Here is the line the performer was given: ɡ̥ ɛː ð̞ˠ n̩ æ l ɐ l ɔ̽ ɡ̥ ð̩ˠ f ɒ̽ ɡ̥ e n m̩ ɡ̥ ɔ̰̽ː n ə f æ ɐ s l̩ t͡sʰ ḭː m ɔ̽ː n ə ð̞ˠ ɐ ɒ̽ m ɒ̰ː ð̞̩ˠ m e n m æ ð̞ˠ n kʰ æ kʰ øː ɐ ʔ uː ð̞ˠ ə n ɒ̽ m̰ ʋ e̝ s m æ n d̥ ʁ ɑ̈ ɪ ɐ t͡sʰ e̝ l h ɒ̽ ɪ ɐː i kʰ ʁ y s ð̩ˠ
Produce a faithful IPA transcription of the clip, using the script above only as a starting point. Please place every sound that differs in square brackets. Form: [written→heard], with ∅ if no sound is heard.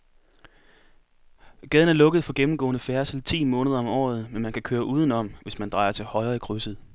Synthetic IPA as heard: ɡ̥ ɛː ð̞ˠ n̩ æ [l→∅] ɐ l ɔ̽ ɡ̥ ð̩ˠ f ɒ̽ ɡ̥ e [n→m] m̩ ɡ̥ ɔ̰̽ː n ə f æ ɐ s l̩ t͡sʰ ḭː m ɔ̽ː n ə ð̞ˠ ɐ ɒ̽ m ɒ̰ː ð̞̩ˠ m e n m æ [ð̞ˠ→∅] n kʰ æ kʰ øː ɐ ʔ uː ð̞ˠ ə n ɒ̽ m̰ ʋ e̝ s m æ n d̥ ʁ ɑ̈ ɪ ɐ t͡sʰ e̝ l h ɒ̽ ɪ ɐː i kʰ ʁ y s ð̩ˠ